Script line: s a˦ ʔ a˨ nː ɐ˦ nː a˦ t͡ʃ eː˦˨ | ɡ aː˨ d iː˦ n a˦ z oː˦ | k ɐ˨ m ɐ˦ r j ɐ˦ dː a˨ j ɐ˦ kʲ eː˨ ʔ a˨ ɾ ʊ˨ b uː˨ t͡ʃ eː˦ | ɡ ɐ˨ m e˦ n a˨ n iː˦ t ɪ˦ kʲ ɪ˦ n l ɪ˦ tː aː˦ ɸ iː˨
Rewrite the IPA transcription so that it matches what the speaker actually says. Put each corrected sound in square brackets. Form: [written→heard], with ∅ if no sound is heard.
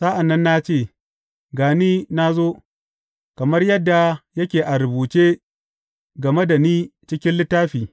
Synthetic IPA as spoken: s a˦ ʔ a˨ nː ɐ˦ nː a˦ t͡ʃ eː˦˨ | ɡ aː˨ [d→n] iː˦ n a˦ z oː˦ | k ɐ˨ m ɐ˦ r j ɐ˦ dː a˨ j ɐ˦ kʲ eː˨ ʔ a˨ ɾ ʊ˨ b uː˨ t͡ʃ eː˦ | ɡ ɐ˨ m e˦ [n→d] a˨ n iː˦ [t→t͡ʃ] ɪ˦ kʲ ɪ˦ n l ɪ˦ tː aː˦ ɸ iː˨